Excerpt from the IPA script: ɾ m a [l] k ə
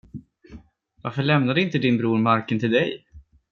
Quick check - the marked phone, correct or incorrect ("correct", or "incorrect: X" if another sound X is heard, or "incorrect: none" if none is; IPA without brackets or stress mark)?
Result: incorrect: ɾ